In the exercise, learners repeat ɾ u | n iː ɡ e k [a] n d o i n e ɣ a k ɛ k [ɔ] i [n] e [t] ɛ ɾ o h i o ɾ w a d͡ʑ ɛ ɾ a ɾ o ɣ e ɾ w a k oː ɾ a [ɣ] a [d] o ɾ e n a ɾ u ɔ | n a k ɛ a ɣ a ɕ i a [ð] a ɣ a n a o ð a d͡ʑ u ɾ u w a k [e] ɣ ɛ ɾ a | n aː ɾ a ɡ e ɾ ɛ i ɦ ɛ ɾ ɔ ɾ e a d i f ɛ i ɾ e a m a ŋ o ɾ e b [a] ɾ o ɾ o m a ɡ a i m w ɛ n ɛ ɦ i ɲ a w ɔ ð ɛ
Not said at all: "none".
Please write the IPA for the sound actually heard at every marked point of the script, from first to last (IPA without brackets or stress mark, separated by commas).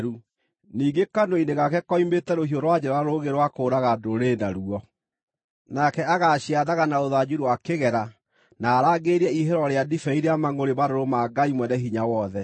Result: a, ɔ, m, t, ɣ, d, ð, e, a